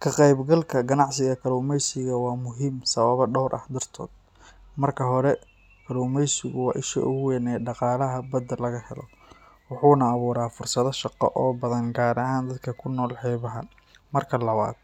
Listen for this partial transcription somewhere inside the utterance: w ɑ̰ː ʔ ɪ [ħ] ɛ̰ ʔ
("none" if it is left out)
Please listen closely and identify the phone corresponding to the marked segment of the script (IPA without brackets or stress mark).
ʃ